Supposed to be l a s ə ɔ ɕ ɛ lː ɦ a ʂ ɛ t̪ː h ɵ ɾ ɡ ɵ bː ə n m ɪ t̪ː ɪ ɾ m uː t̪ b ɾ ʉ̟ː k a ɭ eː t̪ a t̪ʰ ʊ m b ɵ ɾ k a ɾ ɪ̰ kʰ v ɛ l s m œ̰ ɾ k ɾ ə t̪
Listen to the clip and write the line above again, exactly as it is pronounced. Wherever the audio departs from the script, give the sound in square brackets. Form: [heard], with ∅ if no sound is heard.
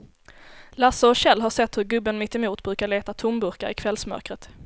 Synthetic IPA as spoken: l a s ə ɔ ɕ ɛ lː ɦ a ʂ ɛ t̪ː h ɵ ɾ ɡ ɵ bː ə n m ɪ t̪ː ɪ [∅] m uː t̪ b ɾ ʉ̟ː k a ɭ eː t̪ a t̪ʰ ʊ m b ɵ ɾ k a ɾ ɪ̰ kʰ v ɛ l s m œ̰ ɾ k ɾ ə t̪